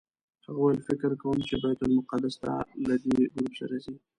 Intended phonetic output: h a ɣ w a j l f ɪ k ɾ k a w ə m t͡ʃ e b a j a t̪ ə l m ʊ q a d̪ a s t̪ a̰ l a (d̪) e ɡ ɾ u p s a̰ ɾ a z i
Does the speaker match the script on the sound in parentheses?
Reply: yes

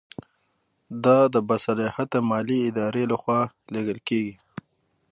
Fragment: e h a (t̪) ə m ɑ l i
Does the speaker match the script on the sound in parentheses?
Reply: yes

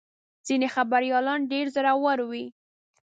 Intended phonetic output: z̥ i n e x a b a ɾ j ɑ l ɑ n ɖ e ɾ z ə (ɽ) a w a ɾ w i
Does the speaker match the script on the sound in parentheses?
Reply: no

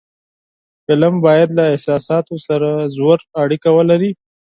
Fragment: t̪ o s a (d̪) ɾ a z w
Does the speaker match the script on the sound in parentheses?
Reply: no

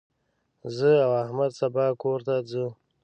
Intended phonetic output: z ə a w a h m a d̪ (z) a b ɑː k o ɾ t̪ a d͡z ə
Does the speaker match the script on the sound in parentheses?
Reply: no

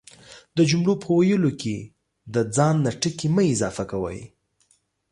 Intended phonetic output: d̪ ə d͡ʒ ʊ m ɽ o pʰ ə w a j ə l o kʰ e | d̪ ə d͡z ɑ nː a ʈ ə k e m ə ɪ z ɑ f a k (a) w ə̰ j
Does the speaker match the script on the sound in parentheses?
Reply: yes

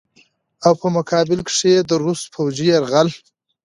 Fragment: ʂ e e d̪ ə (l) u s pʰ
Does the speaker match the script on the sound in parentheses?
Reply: no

